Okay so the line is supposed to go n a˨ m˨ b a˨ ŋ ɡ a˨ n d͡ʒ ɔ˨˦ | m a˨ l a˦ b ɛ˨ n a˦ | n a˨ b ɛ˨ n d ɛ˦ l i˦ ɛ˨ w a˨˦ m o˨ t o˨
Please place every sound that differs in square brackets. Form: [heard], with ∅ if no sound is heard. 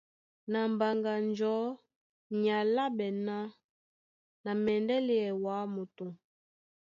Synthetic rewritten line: n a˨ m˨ b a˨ ŋ ɡ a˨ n d͡ʒ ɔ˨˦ | [ɲ] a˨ l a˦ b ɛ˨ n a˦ | n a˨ [m] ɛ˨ n d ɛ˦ l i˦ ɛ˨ w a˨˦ m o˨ t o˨